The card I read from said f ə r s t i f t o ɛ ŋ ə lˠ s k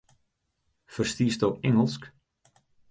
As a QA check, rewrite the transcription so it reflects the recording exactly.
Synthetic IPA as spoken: f ə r s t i s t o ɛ ŋ ə lˠ s k